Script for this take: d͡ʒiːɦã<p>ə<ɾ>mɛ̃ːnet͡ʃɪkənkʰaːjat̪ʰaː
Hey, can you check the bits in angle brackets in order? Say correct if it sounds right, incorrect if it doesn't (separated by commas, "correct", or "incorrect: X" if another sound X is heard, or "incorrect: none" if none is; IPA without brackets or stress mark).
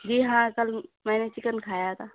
incorrect: k, incorrect: l